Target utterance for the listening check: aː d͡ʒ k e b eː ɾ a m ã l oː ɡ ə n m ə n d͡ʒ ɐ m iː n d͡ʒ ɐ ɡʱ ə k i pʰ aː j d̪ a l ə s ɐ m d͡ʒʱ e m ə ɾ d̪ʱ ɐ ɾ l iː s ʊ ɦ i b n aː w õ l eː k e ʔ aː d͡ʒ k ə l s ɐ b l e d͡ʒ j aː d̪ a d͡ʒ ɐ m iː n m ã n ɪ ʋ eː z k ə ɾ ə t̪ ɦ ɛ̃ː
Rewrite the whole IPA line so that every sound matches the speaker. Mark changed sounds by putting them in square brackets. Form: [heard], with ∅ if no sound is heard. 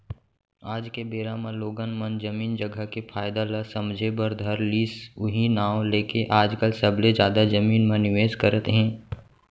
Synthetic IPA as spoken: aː d͡ʒ k e b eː ɾ a m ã l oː ɡ ə n m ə n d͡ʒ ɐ m iː n d͡ʒ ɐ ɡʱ ə k [e] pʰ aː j d̪ a l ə s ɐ m d͡ʒʱ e [b] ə ɾ d̪ʱ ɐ ɾ l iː s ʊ ɦ i [∅] n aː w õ l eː k e ʔ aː d͡ʒ k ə l s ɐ b l e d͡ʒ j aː d̪ a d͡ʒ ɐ m iː n m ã n ɪ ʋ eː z k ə ɾ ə t̪ ɦ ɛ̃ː